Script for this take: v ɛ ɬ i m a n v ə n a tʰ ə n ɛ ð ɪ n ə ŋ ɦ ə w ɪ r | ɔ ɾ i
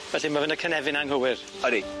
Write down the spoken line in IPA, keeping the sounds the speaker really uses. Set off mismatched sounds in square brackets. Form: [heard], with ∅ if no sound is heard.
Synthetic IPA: v ɛ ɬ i m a [∅] v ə n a [kʰ] ə n ɛ [v] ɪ n [a] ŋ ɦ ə w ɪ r | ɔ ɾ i